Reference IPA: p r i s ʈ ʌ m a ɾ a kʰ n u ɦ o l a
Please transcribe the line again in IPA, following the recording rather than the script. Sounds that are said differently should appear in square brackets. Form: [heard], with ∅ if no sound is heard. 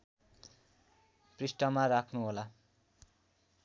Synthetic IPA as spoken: p r i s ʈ ʌ m a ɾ a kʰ n u ɦ o l a